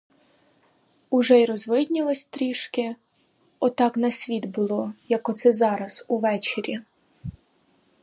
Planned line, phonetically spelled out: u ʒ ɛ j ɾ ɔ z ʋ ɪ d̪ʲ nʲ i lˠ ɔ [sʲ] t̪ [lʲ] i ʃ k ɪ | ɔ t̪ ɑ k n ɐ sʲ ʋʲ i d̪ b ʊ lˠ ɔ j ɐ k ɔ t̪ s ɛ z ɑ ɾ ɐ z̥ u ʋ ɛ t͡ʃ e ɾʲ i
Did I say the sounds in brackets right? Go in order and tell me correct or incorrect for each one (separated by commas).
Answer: correct, incorrect